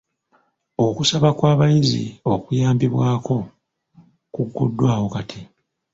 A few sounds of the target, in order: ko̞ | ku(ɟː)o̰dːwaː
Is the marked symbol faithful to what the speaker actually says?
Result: no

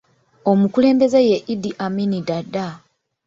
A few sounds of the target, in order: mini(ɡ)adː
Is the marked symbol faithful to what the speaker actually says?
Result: no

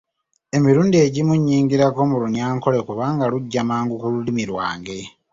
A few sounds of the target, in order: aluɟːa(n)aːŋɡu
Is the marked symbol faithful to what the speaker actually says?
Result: no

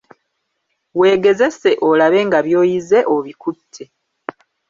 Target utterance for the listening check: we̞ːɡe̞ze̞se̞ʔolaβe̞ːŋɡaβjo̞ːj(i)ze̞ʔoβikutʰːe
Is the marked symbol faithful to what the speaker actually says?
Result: yes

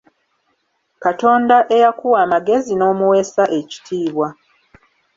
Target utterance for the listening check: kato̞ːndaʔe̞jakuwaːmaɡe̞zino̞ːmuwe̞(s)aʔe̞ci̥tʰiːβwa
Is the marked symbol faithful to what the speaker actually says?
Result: yes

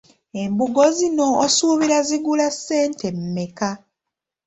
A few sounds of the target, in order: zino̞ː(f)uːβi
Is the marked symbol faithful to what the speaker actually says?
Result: no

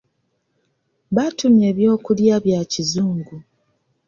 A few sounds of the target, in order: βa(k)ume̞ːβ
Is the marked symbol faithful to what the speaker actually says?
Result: no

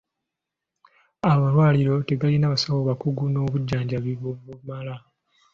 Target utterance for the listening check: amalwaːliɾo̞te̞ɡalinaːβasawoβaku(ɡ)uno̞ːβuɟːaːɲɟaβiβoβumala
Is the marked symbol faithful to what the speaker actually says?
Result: yes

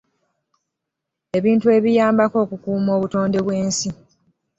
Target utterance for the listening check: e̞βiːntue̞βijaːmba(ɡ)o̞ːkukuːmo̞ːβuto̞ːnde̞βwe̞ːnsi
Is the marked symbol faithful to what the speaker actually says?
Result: no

